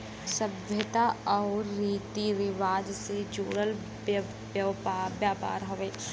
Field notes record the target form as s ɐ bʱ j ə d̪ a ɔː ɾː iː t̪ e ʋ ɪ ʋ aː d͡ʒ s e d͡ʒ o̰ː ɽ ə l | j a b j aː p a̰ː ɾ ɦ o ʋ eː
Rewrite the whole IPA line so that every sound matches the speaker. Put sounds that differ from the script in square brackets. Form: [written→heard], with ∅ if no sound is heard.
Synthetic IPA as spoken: s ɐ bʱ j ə [d̪→t̪] a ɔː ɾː iː t̪ [e→i] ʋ ɪ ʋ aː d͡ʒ s e d͡ʒ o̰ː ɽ ə l | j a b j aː p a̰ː ɾ ɦ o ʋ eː